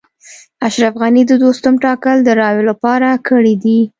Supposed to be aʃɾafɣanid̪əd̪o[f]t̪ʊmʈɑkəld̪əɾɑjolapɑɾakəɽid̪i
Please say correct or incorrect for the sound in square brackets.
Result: incorrect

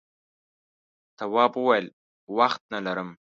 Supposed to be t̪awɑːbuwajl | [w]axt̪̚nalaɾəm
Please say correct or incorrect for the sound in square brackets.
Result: correct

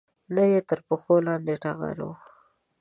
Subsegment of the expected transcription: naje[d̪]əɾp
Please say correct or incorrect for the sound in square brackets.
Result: incorrect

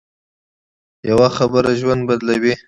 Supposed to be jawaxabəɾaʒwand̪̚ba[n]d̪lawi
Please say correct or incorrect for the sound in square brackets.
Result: incorrect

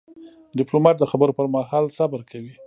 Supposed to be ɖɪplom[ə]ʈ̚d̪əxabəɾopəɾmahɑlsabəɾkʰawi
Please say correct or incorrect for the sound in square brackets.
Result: incorrect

